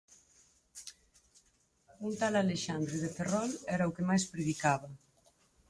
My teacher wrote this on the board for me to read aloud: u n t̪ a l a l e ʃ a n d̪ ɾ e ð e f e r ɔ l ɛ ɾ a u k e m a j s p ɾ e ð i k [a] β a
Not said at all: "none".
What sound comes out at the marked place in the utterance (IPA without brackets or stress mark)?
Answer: a